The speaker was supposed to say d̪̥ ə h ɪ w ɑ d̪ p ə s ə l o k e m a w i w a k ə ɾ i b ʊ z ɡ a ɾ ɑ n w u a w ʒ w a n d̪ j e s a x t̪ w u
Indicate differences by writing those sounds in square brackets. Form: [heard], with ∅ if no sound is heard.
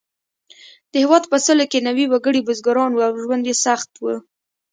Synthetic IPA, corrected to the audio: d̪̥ ə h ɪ w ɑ d̪ p ə s ə l o k e [n] a w i w a [ɡ] ə [ɽ] i b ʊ z ɡ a ɾ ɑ n w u a w ʒ w a n d̪ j e s a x t̪ w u